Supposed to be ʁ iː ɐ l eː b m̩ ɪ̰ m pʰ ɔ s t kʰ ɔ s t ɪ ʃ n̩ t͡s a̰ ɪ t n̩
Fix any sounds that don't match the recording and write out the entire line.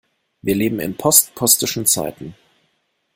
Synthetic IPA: v iː ɐ l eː b m̩ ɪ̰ n pʰ ɔ s t pʰ ɔ s t ɪ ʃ n̩ t͡s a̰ ɪ t n̩